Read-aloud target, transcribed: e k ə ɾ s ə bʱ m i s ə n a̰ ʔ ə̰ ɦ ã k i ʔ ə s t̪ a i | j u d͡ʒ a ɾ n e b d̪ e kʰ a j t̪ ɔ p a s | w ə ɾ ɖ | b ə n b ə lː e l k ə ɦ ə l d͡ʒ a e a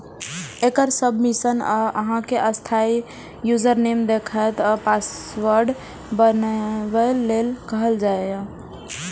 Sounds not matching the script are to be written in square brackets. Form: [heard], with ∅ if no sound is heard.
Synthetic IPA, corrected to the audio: e k ə ɾ s ə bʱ m i s ə n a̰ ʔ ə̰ ɦ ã k [e] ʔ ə s [t̪ʰ] a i | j u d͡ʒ [ə] ɾ n e [m] d̪ e kʰ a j t̪ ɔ p a s | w ə ɾ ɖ | b ə n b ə lː e l k ə ɦ ə l d͡ʒ a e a